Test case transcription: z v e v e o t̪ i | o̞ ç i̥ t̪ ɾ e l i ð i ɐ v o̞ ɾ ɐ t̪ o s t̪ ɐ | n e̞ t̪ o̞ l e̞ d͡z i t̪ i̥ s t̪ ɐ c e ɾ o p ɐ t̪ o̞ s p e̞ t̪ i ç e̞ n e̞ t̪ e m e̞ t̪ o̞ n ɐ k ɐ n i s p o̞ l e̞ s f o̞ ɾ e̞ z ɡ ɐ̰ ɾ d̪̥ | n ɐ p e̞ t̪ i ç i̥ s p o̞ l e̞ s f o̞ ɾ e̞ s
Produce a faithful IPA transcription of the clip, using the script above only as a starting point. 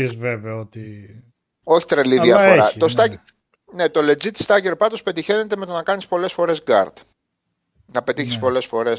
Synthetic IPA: z v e v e o t̪ i | o̞ ç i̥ t̪ ɾ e l i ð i ɐ f o̞ ɾ ɐ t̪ o s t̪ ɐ | n e̞ t̪ o̞ l e̞ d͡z i t̪ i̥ s t̪ ɐ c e ɾ o p ɐ t̪ o̞ s p e̞ t̪ i ç e̞ n e̞ t̪ e m e̞ t̪ o̞ n ɐ k ɐ n i s p o̞ l e̞ s f o̞ ɾ e̞ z ɡ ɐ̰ ɾ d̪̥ | n ɐ p e̞ t̪ i ç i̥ s p o̞ l e̞ s f o̞ ɾ e̞ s